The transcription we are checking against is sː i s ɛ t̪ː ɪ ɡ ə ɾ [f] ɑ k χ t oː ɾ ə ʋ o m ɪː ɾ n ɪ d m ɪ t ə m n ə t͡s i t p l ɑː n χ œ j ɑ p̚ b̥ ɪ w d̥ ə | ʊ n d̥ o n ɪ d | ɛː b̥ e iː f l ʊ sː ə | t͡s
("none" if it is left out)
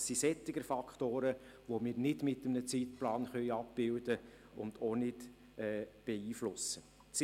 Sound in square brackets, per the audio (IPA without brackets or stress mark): f